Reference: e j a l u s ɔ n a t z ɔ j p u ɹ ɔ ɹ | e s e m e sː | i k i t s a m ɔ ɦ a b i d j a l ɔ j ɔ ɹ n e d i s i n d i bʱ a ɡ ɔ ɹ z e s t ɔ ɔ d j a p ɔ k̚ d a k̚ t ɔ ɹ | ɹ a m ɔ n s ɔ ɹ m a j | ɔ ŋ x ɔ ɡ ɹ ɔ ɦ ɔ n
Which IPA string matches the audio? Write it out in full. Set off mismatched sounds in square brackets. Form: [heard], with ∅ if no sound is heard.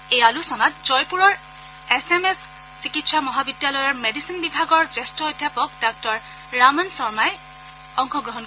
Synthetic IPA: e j a l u s ɔ n a t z ɔ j p u ɹ ɔ ɹ | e s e m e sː | i k i t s a m ɔ ɦ a b i d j a l ɔ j ɔ ɹ [m] e d i s i n [b] i bʱ a ɡ ɔ ɹ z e s t ɔ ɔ d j a p ɔ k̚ d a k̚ t ɔ ɹ | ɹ a m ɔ n s ɔ ɹ m a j | ɔ ŋ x ɔ ɡ ɹ ɔ ɦ ɔ n